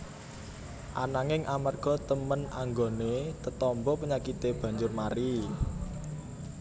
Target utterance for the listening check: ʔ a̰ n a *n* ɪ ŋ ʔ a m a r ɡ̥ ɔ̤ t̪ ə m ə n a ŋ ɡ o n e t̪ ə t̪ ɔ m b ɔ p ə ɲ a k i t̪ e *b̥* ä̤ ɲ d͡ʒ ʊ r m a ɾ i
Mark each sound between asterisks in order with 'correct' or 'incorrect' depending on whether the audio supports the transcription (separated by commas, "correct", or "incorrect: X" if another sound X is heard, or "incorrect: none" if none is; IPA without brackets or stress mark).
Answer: incorrect: ŋ, correct